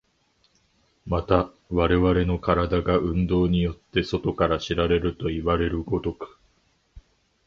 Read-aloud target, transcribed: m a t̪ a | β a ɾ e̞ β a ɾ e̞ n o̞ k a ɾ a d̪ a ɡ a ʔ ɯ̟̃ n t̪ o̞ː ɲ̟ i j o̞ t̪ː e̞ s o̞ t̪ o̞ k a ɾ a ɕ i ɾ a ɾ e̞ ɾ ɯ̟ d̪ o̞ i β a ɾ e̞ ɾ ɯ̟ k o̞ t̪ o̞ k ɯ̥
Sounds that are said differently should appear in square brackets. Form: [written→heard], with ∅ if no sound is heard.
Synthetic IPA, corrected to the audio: m a t̪ a | β a ɾ e̞ β a ɾ e̞ n o̞ k a ɾ a d̪ a ɡ a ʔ ɯ̟̃ n [t̪→d̪] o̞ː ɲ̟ i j o̞ t̪ː e̞ s o̞ t̪ o̞ k a ɾ a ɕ i ɾ a ɾ e̞ ɾ ɯ̟ [d̪→t̪] o̞ i β a ɾ e̞ ɾ ɯ̟ [k→ɡ] o̞ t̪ o̞ k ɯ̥